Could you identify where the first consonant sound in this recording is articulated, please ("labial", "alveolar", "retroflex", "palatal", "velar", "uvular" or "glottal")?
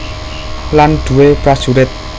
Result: alveolar